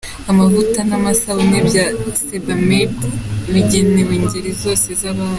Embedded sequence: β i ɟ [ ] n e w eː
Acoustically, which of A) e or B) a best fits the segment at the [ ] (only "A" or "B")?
A